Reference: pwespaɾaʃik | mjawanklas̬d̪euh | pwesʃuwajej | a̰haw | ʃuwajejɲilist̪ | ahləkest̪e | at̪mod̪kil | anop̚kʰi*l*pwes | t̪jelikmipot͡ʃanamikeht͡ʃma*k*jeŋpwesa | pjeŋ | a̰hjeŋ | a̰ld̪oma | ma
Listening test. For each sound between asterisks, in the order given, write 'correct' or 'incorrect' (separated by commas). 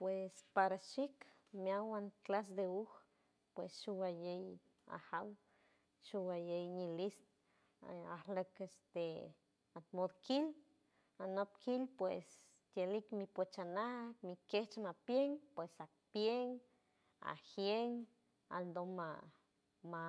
correct, incorrect